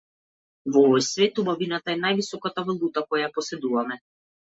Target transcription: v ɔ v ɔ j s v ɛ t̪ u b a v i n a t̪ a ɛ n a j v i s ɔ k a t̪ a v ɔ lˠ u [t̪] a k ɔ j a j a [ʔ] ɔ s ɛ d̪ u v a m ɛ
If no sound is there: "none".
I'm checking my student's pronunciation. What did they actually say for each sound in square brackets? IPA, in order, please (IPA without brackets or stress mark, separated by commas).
t̪, p